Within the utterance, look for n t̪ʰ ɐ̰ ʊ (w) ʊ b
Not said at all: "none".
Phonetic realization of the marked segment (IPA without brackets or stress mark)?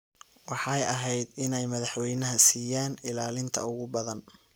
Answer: ɣ